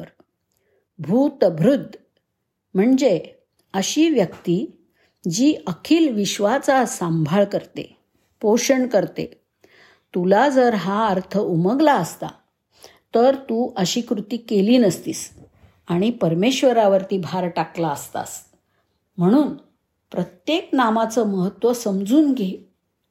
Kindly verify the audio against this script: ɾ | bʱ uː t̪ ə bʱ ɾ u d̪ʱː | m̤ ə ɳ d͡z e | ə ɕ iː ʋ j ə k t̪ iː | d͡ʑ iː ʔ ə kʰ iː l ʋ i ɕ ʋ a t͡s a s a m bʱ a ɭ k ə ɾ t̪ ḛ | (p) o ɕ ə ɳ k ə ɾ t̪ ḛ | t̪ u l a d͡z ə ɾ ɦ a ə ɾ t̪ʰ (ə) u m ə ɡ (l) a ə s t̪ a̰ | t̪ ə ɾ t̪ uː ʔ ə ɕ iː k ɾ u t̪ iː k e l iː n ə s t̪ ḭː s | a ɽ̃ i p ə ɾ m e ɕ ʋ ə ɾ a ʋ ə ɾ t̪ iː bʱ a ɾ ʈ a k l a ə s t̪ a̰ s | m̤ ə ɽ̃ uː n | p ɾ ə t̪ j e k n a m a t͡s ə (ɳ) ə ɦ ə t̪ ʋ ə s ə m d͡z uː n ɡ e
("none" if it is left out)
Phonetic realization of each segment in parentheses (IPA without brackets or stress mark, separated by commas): p, ə, l, m